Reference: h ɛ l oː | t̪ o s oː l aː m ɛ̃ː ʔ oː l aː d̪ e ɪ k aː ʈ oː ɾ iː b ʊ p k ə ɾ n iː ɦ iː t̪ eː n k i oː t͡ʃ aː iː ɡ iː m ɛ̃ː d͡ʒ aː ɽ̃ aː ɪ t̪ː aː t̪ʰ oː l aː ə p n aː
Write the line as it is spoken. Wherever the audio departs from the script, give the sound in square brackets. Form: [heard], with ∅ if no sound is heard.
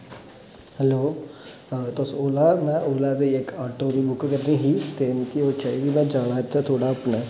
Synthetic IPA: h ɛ l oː | t̪ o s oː l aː m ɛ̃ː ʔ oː l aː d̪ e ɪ k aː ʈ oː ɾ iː b ʊ [k] k ə ɾ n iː ɦ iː t̪ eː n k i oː t͡ʃ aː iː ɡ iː m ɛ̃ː d͡ʒ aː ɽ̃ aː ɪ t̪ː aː t̪ʰ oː [ɽ] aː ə p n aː